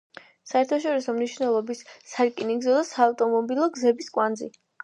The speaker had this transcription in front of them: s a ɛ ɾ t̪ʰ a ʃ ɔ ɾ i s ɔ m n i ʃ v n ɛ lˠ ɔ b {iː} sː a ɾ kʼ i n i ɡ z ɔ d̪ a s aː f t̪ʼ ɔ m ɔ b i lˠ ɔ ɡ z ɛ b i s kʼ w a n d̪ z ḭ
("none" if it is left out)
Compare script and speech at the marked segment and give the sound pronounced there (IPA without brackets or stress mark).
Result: i